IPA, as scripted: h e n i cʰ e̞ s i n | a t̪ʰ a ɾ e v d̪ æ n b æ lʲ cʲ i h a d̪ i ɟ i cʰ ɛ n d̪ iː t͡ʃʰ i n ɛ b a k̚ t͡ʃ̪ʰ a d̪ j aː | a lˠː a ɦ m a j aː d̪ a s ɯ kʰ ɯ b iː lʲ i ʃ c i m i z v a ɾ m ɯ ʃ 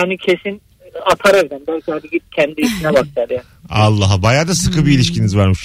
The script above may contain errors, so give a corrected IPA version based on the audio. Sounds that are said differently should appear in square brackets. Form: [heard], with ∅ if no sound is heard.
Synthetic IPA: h [a] n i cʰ e̞ s i n | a t̪ʰ a ɾ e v d̪ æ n b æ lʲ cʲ i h a d̪ i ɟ i cʰ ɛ n d̪ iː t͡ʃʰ i n ɛ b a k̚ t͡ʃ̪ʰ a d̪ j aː | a lˠː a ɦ [b] a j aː d̪ a s ɯ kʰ ɯ b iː lʲ i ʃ c i [n] i z v a ɾ m ɯ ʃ